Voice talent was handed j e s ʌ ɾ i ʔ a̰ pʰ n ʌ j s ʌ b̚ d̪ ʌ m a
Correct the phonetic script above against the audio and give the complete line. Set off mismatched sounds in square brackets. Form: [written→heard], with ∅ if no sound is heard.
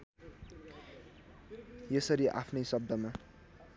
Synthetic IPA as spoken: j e s ʌ ɾ i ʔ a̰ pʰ n ʌ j s ʌ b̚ d̪ ʌ m a